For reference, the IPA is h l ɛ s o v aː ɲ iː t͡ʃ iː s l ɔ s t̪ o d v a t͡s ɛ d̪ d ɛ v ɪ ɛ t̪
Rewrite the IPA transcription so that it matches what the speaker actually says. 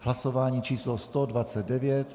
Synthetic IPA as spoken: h l a s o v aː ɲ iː t͡ʃ iː s l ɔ s t̪ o d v a t͡s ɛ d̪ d ɛ v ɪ ɛ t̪